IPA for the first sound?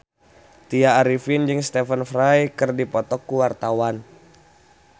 t̪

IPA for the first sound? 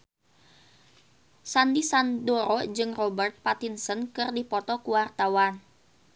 s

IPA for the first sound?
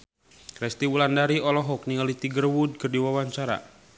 k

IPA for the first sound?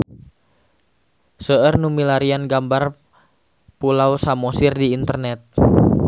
s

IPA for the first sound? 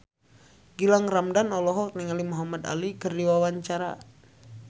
ɡ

